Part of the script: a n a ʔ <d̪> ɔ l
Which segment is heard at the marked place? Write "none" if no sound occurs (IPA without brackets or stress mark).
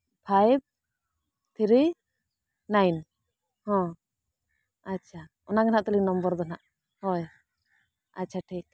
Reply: t̪